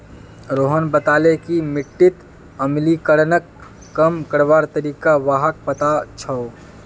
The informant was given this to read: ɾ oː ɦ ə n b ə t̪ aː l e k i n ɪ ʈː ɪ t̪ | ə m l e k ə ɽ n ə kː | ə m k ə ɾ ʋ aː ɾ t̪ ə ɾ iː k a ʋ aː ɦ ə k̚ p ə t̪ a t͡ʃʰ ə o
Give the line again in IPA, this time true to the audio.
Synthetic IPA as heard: ɾ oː ɦ ə n b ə t̪ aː l e k i m ɪ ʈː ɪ t̪ | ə m l i k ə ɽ n ə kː | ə m k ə ɾ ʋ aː ɾ t̪ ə ɾ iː k a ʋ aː ɦ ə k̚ p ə t̪ a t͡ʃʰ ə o